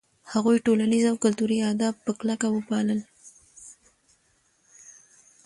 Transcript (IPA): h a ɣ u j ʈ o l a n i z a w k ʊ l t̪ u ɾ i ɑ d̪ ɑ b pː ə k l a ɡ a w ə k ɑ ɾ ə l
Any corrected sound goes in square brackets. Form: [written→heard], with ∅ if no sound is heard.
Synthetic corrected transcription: h a ɣ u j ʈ o l a n i z a w k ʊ l t̪ u ɾ i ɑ d̪ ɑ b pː ə k l a [ɡ→k] a w ə [k→p] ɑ [ɾ→l] ə l